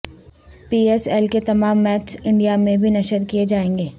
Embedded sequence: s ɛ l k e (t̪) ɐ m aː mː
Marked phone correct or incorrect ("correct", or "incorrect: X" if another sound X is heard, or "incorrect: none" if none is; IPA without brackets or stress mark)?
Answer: correct